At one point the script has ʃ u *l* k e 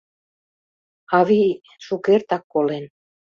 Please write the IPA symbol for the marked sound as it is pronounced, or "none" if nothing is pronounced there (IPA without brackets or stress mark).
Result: none